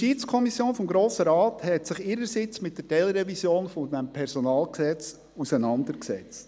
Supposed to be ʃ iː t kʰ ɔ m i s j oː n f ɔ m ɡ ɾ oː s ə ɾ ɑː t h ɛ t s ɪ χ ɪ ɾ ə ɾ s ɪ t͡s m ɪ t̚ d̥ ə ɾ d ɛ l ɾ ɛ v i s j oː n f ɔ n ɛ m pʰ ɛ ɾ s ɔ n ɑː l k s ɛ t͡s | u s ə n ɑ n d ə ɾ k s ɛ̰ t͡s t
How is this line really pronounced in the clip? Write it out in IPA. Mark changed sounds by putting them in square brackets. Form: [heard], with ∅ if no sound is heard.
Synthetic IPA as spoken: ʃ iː [t͡s] kʰ ɔ m i s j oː n f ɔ m ɡ ɾ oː s ə ɾ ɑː t h ɛ t s ɪ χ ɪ ɾ ə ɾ s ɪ t͡s m ɪ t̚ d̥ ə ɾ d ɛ l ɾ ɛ v i s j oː n f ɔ [d] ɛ m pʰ ɛ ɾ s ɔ n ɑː l k s ɛ t͡s | u s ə n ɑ n d ə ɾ k s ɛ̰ t͡s t